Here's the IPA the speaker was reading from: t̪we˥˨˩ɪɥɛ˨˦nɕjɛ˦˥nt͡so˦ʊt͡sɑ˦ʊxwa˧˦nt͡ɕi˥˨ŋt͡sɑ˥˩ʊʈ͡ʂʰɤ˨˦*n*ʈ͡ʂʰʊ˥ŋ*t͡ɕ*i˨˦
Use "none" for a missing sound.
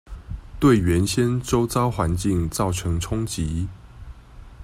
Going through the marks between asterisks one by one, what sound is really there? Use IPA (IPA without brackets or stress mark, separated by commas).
ŋ, t͡ɕ